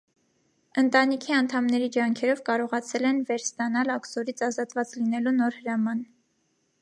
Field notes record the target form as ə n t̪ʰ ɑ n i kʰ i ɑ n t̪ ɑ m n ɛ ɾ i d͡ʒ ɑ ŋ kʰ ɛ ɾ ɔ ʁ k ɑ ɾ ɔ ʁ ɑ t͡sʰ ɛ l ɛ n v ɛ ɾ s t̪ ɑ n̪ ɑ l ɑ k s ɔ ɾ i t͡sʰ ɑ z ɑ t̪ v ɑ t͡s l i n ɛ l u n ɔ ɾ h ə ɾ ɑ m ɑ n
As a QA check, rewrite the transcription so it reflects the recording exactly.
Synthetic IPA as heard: ə n t̪ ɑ n i kʰ i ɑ n t̪ʰ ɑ m n ɛ ɾ i d͡ʒ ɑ ŋ kʰ ɛ ɾ ɔ v k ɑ ɾ ɔ ʁ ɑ t͡sʰ ɛ l ɛ n v ɛ ɾ s t̪ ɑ n̪ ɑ l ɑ k s ɔ ɾ i t͡sʰ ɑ z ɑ t̪ v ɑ t͡s l i n ɛ l u n ɔ ɾ h ə ɾ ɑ m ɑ n